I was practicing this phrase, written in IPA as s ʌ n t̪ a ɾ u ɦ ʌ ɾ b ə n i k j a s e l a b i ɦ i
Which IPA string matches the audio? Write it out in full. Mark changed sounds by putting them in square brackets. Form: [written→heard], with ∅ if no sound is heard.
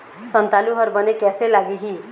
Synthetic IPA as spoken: s ʌ n t̪ a [ɾ→l] u ɦ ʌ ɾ b [ə→ʌ] n [i→e] k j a s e l a [b→ɡ] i ɦ i